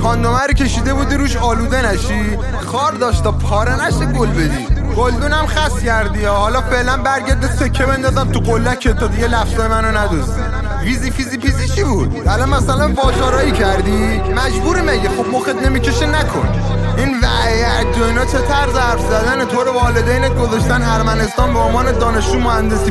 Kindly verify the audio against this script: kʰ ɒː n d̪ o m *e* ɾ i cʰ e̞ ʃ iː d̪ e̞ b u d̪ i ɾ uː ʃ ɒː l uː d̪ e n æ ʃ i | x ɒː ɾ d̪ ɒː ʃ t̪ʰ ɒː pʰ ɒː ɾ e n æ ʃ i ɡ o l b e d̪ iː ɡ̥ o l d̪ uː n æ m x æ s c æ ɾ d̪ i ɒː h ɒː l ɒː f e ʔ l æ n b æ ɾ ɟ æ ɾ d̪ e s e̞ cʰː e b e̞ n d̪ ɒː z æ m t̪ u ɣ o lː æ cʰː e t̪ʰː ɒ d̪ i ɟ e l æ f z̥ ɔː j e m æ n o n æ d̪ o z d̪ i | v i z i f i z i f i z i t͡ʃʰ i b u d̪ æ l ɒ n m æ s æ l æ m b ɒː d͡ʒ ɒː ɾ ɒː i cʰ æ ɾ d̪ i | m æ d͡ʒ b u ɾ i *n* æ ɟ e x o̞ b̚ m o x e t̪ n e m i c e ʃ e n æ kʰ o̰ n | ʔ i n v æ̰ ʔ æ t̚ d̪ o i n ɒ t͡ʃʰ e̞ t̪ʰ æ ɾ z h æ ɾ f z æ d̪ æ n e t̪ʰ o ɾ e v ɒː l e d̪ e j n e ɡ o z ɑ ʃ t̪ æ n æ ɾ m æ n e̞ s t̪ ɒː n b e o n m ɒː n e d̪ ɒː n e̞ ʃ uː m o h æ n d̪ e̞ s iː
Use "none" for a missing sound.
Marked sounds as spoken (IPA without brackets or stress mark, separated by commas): æ, m